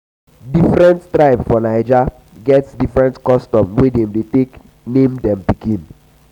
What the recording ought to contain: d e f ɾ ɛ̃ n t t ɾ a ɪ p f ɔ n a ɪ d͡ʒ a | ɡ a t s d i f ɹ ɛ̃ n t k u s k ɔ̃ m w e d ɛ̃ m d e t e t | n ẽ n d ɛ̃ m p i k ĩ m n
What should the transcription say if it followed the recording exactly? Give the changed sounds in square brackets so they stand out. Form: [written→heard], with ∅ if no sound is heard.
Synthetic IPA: d [e→i] f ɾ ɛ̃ n t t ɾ a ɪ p f ɔ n a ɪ d͡ʒ a | ɡ [a→ɛ] t s d i f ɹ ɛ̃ n t k [u→ɔ] s [k→t] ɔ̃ m w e d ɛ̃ m d e t e [t→k] | n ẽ [n→m] d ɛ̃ m p i k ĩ [m→∅] n